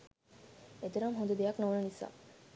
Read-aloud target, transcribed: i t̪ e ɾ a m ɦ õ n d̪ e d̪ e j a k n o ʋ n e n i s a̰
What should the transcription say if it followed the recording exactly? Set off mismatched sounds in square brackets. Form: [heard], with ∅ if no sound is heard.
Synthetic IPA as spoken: [e] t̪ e ɾ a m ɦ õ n d̪ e d̪ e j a k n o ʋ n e n i s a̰